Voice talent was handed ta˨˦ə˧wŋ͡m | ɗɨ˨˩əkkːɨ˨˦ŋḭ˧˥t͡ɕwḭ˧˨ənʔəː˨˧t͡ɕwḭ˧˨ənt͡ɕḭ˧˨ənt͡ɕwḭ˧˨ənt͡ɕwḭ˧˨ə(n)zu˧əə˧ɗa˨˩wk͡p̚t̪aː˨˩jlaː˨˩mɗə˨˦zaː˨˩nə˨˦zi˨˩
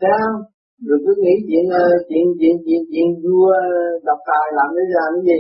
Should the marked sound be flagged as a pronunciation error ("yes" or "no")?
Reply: no